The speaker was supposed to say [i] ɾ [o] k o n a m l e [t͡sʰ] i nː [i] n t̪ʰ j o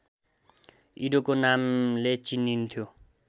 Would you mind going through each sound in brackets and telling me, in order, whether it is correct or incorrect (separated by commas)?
correct, correct, incorrect, correct